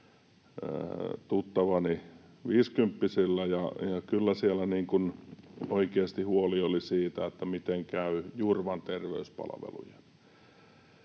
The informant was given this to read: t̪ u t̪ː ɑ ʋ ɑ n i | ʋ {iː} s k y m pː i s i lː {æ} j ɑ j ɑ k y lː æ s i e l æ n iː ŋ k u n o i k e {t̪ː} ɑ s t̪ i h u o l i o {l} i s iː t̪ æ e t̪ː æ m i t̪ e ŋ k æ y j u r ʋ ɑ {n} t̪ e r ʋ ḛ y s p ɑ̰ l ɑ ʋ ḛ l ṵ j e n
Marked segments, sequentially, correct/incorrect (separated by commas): correct, correct, incorrect, correct, correct